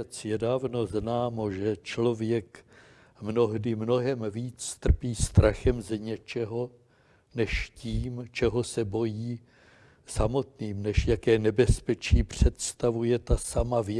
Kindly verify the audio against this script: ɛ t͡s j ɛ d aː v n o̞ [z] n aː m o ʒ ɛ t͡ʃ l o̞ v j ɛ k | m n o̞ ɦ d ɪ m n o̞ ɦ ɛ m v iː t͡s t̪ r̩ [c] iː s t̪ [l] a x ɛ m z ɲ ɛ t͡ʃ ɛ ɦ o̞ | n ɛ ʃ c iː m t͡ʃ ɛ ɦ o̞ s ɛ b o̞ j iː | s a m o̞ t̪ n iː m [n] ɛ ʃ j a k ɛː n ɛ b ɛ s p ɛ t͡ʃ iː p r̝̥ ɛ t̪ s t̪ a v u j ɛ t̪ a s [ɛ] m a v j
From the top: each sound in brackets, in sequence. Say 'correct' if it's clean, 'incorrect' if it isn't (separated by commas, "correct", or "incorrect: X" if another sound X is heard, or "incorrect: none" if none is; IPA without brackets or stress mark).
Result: correct, incorrect: p, incorrect: ɾ, correct, incorrect: a